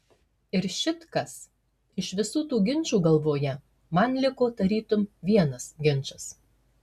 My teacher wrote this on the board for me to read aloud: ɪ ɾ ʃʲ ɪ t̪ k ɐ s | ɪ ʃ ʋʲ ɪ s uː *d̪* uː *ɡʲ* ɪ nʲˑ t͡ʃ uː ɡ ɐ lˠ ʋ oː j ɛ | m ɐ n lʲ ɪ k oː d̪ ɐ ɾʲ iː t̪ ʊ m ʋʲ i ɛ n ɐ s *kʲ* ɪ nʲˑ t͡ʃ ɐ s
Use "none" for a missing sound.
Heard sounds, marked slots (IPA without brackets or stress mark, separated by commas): t̪, ɡʲ, ɡʲ